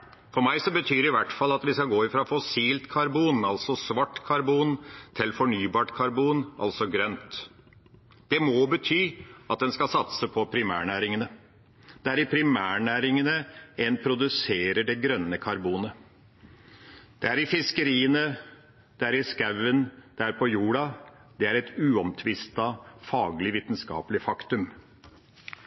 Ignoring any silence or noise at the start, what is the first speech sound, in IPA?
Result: f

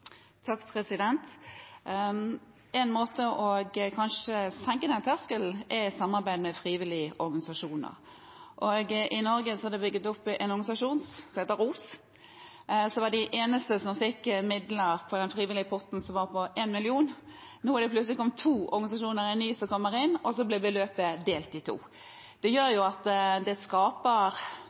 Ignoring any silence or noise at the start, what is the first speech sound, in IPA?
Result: t̪ʰ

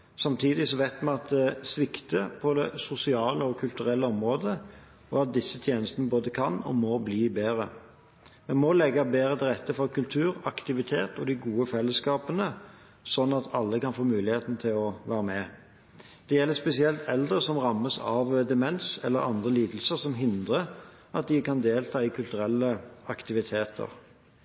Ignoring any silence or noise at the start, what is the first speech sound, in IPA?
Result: s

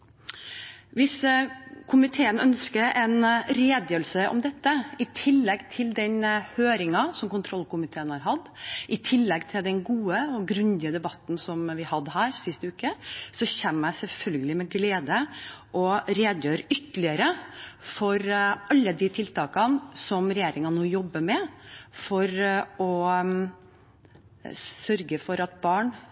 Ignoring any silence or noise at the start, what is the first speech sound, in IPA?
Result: ʋ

